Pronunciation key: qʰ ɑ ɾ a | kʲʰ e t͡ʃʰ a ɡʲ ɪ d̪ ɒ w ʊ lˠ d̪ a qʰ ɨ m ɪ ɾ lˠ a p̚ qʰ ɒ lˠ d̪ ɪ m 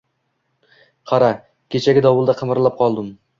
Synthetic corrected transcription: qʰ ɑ ɾ a | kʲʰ e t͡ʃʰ a ɡʲ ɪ d̪ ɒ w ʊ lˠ d̪ a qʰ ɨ m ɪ ɾ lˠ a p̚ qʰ ɒ lˠ d̪ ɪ m